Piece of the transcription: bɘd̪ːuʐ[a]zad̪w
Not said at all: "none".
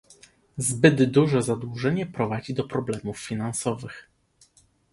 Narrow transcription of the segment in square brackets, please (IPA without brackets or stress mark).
ɛ